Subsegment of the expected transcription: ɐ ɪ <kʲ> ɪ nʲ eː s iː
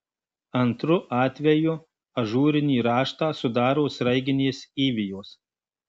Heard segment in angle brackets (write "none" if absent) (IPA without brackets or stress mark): ɡʲ